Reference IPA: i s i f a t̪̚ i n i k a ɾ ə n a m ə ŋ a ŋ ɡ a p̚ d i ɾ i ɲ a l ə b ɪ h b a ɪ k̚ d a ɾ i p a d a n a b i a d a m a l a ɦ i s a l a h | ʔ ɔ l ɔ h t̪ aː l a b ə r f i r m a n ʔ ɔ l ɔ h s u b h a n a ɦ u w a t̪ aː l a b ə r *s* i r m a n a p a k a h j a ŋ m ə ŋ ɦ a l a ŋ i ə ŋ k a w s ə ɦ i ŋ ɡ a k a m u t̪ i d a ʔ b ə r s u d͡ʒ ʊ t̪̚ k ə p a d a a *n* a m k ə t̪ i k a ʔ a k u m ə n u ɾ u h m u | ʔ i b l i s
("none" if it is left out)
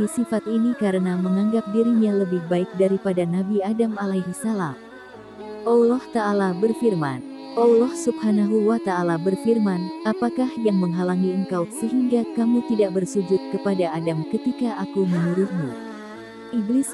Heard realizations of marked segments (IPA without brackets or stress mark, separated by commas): f, d